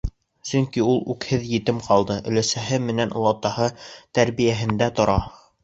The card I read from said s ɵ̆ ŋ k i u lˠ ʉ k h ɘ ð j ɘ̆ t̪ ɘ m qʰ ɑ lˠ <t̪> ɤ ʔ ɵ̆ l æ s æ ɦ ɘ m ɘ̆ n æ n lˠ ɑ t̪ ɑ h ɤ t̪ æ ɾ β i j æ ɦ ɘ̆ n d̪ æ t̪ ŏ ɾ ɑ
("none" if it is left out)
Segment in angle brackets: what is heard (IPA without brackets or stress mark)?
d̪